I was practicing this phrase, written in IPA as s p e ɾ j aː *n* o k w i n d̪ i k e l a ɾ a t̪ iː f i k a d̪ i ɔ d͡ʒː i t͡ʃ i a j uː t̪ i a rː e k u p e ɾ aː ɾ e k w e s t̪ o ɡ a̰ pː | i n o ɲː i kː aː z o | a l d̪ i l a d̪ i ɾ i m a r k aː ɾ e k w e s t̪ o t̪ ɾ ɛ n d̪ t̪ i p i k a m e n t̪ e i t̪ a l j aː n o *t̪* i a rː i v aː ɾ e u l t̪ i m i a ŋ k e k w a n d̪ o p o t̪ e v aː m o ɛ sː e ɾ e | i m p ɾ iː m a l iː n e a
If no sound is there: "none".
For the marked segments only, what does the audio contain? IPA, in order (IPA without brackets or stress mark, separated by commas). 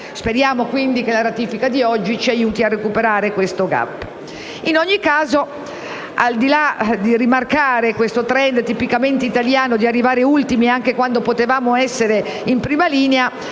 m, d̪